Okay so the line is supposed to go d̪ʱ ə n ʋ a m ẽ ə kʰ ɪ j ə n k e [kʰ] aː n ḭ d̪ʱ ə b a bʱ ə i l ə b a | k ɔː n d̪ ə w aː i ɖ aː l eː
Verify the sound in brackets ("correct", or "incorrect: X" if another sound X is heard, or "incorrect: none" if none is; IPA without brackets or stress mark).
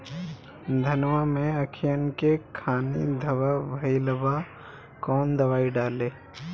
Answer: correct